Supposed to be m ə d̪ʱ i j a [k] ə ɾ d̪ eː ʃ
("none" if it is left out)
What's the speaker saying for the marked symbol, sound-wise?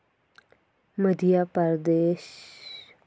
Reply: p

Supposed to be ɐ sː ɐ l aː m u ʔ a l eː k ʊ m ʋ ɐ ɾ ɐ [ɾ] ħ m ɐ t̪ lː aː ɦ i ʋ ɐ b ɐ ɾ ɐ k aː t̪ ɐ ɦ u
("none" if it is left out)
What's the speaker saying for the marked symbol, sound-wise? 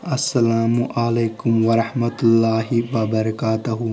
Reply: none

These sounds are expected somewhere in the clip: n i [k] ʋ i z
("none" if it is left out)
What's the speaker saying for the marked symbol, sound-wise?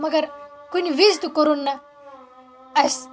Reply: none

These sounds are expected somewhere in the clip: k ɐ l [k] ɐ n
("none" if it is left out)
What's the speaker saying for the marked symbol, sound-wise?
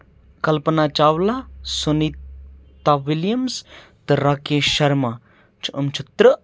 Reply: p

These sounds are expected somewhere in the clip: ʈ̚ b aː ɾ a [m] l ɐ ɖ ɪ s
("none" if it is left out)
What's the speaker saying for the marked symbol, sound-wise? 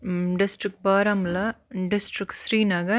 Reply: m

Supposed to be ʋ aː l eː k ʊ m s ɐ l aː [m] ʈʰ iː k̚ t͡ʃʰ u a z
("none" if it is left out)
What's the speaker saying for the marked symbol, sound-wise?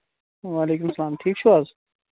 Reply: m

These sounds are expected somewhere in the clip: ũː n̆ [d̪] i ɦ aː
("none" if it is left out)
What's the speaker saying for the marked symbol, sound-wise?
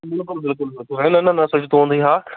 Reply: d̪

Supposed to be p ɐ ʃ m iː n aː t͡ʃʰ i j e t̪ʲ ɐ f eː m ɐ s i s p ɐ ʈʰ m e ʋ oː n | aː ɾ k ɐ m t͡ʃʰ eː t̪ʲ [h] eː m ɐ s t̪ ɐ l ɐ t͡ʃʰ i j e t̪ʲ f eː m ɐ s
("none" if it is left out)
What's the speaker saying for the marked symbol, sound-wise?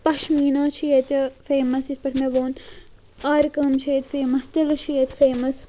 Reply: f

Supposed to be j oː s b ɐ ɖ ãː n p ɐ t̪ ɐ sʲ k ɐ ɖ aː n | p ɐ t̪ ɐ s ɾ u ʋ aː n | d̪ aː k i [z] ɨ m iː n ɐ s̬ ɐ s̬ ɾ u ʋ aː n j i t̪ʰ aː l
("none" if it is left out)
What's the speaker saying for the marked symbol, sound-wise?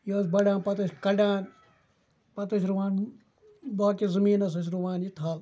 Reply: z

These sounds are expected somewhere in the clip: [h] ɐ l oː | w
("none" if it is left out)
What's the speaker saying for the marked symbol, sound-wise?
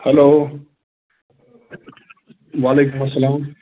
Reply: h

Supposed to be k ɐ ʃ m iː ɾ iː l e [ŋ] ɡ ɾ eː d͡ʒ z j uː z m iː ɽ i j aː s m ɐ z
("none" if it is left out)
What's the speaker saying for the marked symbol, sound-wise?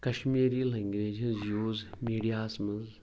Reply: ŋ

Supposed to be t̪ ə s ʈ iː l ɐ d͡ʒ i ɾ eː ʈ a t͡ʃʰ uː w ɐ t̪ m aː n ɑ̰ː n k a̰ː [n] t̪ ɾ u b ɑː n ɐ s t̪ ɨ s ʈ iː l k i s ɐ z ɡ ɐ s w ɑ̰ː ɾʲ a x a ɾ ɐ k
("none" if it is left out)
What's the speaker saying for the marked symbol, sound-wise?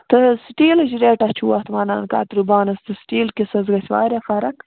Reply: none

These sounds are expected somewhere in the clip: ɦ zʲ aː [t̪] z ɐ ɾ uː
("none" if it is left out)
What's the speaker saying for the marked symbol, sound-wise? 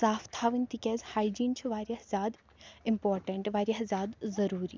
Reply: d̪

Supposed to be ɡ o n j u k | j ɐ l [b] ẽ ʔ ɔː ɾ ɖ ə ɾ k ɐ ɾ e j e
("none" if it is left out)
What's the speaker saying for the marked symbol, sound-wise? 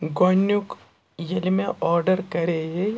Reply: m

